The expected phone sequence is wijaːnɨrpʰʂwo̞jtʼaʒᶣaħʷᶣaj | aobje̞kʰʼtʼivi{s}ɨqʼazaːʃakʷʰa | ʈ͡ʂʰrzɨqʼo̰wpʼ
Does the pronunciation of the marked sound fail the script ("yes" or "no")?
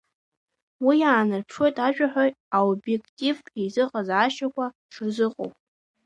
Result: yes